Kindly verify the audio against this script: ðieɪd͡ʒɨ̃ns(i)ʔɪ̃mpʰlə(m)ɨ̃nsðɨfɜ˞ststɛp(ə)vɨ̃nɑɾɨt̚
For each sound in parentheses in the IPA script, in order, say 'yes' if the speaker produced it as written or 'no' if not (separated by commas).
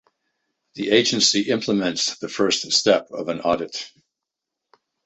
yes, yes, no